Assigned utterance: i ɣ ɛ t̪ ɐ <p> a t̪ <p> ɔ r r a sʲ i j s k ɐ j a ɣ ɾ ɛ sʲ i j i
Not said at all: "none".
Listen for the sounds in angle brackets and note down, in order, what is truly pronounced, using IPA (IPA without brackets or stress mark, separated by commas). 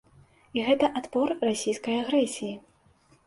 ʔ, p